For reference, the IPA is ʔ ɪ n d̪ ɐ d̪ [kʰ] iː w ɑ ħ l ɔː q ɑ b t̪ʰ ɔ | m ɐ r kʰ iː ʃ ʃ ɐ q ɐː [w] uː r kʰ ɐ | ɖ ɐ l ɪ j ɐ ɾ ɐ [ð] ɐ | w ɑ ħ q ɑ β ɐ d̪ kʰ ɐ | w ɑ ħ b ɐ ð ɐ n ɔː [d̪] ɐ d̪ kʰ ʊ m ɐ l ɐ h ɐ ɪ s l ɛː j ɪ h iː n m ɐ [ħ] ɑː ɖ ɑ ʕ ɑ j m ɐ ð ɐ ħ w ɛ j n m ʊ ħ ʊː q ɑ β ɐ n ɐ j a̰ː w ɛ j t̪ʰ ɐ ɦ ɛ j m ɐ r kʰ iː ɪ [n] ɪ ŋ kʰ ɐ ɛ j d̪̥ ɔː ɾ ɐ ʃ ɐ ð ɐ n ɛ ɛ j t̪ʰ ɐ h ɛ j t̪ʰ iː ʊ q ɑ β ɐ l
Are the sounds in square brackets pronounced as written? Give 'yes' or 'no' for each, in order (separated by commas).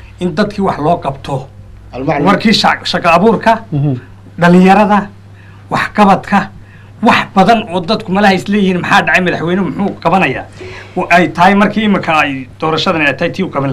yes, no, yes, yes, yes, no